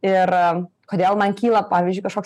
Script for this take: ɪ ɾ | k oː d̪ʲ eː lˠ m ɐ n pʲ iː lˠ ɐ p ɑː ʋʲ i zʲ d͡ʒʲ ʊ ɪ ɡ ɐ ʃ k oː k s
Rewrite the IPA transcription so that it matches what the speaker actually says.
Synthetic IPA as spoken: ɪ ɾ | k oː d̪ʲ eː lˠ m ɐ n kʲ iː lˠ ɐ p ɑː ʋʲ i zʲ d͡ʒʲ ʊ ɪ k ɐ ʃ k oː k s